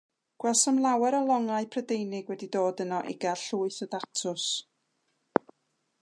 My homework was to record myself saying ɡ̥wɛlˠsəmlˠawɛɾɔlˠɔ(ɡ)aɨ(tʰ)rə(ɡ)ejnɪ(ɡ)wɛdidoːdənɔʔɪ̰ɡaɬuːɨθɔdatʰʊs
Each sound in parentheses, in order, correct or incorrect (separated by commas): incorrect, incorrect, incorrect, correct